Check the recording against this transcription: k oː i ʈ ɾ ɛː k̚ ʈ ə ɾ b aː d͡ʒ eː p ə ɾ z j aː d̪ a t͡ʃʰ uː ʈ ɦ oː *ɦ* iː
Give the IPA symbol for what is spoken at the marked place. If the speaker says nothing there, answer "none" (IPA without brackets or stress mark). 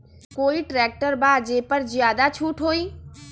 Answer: none